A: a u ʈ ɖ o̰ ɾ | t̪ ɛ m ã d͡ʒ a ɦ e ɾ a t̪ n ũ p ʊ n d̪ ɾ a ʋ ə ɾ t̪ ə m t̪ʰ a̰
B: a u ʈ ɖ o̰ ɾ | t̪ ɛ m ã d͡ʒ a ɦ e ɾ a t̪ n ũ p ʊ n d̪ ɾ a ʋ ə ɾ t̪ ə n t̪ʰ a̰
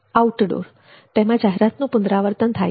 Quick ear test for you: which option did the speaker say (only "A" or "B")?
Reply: B